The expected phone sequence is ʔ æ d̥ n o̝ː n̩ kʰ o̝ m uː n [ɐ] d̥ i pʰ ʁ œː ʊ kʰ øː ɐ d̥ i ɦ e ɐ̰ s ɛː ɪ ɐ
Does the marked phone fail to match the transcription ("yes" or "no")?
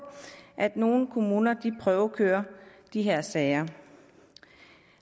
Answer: no